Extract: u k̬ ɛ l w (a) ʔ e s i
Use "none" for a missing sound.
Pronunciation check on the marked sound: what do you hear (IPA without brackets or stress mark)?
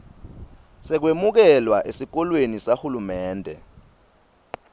a